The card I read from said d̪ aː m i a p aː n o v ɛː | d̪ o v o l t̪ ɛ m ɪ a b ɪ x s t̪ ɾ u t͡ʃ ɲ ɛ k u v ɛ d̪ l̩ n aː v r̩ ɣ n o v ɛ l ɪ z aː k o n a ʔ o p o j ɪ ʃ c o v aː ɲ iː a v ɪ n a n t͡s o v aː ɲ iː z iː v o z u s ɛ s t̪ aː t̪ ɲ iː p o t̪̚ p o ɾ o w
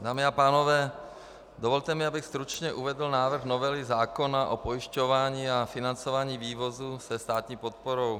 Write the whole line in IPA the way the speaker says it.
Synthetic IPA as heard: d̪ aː m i a p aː n o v ɛː | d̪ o v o l t̪ ɛ m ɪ a b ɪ x s t̪ ɾ u t͡ʃ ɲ ɛ ʔ u v ɛ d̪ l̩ n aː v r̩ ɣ n o v ɛ l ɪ z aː k o n a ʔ o p o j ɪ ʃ c o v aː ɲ iː a f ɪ n a n t͡s o v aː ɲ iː v iː v o z u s ɛ s t̪ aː t̪ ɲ iː p o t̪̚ p o ɾ o w